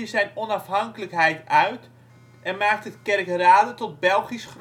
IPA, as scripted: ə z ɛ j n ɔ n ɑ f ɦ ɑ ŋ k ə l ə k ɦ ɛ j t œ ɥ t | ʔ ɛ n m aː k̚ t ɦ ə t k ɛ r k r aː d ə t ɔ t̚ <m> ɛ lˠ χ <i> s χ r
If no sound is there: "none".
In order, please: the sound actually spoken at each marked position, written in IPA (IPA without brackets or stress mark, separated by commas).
b, i